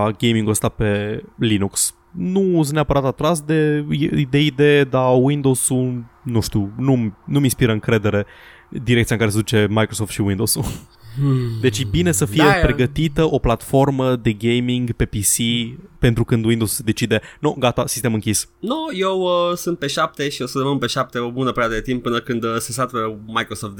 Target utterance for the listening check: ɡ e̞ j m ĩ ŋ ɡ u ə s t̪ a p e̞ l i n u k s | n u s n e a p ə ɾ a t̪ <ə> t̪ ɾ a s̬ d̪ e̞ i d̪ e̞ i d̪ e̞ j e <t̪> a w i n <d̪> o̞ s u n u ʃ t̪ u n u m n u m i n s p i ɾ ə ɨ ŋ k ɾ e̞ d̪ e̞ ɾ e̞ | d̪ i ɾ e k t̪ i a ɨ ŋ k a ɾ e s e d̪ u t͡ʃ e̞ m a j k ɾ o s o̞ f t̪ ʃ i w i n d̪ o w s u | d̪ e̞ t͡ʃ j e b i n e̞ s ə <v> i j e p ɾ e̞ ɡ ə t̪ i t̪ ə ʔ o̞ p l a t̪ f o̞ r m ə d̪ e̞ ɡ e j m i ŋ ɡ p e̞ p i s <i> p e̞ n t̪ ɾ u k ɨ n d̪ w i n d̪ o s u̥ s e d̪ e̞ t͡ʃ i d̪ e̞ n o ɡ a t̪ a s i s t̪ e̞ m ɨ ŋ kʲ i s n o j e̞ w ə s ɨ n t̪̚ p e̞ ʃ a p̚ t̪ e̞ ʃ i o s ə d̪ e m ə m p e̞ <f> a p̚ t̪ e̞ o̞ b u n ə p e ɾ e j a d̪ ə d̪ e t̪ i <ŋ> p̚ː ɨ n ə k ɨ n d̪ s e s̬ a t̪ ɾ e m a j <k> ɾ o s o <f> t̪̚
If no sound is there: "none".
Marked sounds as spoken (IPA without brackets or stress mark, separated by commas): a, d̪, d̪, f, i, ʃ, m, k, f